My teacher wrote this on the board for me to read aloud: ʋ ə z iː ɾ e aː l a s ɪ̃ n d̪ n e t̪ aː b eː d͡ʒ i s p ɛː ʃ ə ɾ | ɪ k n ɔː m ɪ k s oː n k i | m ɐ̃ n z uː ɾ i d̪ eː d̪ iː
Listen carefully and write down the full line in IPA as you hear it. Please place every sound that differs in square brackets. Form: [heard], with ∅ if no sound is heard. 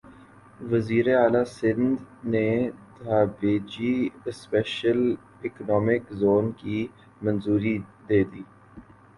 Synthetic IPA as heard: ʋ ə z iː ɾ e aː l a s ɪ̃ n d̪ n e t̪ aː b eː d͡ʒ i s p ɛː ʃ ə [l] | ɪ k n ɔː m ɪ k [z] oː n k i | m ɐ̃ n z uː ɾ i d̪ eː d̪ iː